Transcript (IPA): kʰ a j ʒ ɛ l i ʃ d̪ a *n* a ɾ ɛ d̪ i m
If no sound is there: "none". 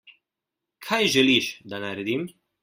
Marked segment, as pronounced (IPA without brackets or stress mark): n